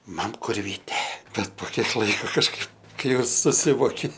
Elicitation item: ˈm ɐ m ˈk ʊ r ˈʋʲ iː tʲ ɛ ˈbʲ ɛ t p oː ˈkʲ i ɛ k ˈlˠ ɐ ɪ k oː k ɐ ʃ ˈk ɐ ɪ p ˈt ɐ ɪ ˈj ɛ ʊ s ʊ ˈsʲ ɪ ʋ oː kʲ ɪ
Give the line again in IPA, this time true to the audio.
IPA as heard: ˈm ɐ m ˈk ʊ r ˈʋʲ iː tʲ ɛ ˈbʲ ɛ t p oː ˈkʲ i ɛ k ˈlˠ ɐ ɪ k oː k ɐ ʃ ˈk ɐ ɪ p ˈk ɐ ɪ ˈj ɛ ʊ s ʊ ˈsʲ ɪ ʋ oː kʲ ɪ

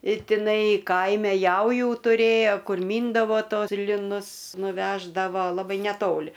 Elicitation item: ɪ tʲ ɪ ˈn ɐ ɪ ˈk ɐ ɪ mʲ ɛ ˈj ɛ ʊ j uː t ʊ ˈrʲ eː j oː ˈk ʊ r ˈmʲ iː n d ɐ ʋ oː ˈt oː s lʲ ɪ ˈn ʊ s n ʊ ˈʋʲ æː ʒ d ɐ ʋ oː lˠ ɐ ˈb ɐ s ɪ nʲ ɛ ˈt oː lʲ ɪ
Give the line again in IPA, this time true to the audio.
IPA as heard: ɪ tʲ ɪ ˈn ɐ ɪ ˈk ɐ ɪ mʲ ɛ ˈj ɛ ʊ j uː t ʊ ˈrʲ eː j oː ˈk ʊ r ˈmʲ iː n d ɐ ʋ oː ˈt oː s lʲ ɪ ˈn ʊ s n ʊ ˈʋʲ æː ʒ d ɐ ʋ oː lˠ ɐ ˈb ɐ ɪ nʲ ɛ ˈt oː lʲ ɪ

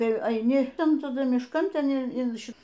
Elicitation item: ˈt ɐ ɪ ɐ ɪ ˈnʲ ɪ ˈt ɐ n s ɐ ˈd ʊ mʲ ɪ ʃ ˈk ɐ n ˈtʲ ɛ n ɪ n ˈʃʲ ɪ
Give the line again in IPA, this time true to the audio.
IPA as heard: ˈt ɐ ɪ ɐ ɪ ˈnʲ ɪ ˈt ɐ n t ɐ ˈd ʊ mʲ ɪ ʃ ˈk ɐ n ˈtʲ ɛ n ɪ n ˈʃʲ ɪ

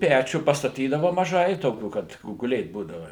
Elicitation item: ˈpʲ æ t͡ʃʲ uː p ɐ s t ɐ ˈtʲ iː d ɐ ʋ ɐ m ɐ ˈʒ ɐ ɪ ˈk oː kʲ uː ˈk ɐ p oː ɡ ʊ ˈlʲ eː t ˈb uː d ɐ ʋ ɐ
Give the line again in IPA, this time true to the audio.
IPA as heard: ˈpʲ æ t͡ʃʲ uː p ɐ s t ɐ ˈtʲ iː d ɐ ʋ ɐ m ɐ ˈʒ ɐ ɪ ˈt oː kʲ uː ˈk ɐ t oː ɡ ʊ ˈlʲ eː t ˈb uː d ɐ ʋ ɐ

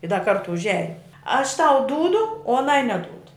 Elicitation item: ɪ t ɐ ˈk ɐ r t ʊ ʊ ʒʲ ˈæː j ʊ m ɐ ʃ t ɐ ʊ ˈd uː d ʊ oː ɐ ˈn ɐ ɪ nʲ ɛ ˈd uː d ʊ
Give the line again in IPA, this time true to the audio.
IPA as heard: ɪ d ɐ ˈk ɐ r t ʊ ʊ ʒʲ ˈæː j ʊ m ɐ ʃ t ɐ ʊ ˈd uː d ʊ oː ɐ ˈn ɐ ɪ nʲ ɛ ˈd uː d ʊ

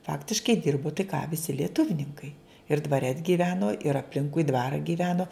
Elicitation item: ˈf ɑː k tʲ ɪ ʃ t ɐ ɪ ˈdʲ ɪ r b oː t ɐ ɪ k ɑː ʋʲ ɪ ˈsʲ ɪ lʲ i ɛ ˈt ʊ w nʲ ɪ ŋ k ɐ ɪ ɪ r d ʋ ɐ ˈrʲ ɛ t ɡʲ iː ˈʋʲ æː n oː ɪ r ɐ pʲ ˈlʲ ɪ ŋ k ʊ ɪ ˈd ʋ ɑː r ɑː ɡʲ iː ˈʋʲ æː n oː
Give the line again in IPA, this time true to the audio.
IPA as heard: ˈf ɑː k tʲ ɪ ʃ k ɐ ɪ ˈdʲ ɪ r b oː t ɐ ɪ k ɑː ʋʲ ɪ ˈsʲ ɪ lʲ i ɛ ˈt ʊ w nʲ ɪ ŋ k ɐ ɪ ɪ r d ʋ ɐ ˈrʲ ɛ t ɡʲ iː ˈʋʲ æː n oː ɪ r ɐ pʲ ˈlʲ ɪ ŋ k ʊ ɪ ˈd ʋ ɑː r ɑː ɡʲ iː ˈʋʲ æː n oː

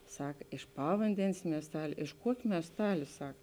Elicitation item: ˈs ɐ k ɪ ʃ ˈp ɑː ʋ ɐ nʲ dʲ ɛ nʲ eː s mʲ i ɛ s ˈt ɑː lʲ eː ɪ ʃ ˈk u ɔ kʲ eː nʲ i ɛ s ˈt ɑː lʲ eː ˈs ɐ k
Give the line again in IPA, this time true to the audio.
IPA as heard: ˈs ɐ k ɪ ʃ ˈp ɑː ʋ ɐ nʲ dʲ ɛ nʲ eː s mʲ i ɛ s ˈt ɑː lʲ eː ɪ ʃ ˈk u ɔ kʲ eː mʲ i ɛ s ˈt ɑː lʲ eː ˈs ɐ k

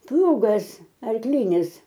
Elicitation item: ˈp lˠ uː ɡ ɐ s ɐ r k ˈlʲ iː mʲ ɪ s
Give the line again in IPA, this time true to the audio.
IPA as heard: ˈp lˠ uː ɡ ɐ s ɐ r k ˈlʲ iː nʲ ɪ s

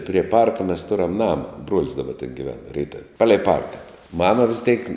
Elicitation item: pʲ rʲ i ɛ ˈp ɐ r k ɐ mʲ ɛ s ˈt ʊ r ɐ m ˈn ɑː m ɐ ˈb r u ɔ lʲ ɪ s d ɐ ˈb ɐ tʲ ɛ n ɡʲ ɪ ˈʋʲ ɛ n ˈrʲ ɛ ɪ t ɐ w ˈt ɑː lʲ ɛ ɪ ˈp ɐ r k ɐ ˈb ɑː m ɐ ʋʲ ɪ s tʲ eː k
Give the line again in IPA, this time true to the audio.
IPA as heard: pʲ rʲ i ɛ ˈp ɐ r k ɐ mʲ ɛ s ˈt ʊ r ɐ m ˈn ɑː m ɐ ˈb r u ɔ lʲ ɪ s d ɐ ˈb ɐ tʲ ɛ n ɡʲ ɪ ˈʋʲ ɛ n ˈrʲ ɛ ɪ t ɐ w ˈp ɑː lʲ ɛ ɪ ˈp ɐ r k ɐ ˈm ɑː m ɐ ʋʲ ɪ s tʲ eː k

